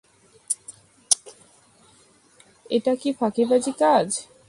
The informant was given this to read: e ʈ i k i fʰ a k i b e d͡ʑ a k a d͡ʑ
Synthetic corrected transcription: e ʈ a k i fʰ a k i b a d͡ʑ i k a d͡ʑ